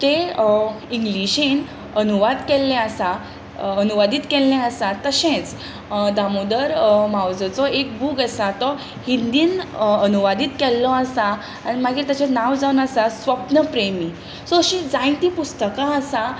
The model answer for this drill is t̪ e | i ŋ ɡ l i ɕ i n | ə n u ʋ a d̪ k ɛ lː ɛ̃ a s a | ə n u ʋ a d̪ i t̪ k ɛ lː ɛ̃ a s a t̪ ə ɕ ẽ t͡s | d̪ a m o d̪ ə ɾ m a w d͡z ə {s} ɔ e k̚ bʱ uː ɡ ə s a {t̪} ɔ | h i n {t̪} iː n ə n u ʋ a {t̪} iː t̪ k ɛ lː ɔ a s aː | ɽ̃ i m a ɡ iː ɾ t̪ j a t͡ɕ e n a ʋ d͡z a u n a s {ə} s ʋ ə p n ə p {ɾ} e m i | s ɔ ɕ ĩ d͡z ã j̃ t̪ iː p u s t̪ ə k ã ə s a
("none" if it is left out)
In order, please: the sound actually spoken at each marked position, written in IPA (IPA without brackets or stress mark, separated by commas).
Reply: t͡s, t̪, d̪, d̪, a, ɾ